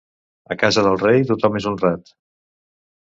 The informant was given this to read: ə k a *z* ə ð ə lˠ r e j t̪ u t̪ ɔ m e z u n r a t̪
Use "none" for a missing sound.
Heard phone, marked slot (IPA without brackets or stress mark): z